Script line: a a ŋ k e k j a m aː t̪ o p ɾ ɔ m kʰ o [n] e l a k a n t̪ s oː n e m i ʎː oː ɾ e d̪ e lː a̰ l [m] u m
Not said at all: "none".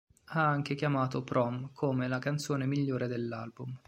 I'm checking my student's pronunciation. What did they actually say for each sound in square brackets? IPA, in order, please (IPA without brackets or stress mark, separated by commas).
m, b